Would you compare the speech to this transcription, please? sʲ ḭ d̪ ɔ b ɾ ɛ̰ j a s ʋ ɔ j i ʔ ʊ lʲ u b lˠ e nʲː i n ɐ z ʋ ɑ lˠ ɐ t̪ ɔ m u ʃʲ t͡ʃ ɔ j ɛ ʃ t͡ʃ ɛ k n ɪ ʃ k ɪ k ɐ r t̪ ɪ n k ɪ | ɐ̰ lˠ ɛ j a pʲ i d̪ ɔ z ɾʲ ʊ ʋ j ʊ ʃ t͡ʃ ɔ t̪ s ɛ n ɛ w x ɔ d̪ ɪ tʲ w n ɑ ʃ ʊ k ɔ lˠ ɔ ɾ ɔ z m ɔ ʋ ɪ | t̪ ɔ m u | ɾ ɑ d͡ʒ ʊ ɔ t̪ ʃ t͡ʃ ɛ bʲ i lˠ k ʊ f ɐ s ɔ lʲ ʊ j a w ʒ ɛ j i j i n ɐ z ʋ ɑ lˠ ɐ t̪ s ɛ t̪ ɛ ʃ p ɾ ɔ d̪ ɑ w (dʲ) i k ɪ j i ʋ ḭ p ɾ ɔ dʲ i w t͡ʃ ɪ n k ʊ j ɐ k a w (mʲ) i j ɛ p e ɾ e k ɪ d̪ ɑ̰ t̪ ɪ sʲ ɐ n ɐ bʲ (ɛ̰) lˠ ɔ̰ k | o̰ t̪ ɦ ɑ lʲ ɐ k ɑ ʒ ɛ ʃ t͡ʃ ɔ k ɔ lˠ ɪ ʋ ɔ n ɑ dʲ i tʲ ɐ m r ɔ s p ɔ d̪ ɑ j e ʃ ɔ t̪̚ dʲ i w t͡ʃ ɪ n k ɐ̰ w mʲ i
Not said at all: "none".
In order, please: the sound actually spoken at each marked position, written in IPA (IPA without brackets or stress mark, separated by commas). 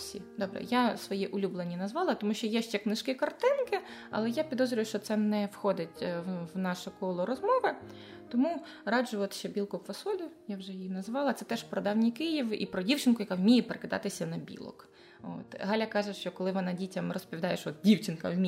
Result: nʲ, mʲ, ḭ